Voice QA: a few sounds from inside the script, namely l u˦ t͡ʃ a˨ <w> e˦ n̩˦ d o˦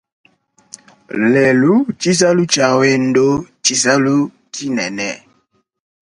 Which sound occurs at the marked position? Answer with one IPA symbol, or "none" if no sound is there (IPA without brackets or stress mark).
w